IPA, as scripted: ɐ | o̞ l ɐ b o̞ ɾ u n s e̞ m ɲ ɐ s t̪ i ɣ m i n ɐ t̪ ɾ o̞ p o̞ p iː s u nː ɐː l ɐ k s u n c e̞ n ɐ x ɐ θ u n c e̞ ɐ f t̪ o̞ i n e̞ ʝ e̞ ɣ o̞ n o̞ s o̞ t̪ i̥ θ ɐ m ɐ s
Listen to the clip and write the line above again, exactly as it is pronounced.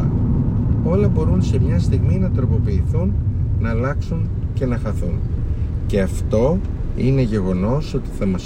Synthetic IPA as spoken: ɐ | o̞ l ɐ b o̞ ɾ u n s e̞ m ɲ ɐ s t̪ i ɣ m i n ɐ t̪ ɾ o̞ p o̞ p iː θ u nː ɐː l ɐ k s u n c e̞ n ɐ x ɐ θ u n c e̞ ɐ f t̪ o̞ i n e̞ ʝ e̞ ɣ o̞ n o̞ s o̞ t̪ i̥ θ ɐ m ɐ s